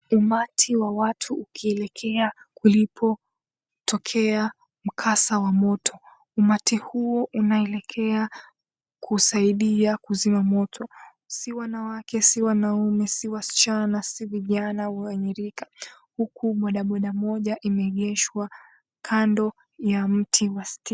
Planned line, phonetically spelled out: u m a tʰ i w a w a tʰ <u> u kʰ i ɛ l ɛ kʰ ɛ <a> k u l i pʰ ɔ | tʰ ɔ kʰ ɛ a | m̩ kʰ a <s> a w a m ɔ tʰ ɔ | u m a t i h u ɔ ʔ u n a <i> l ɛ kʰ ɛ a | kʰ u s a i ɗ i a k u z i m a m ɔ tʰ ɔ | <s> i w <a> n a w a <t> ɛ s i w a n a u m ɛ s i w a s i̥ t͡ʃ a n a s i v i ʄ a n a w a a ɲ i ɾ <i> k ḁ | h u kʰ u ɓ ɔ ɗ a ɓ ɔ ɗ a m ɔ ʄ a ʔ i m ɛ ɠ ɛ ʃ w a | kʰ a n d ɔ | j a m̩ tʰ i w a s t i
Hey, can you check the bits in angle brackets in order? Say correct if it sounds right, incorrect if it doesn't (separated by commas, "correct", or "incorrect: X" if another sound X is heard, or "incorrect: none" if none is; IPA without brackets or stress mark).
correct, correct, correct, incorrect: ɛ, correct, correct, incorrect: k, correct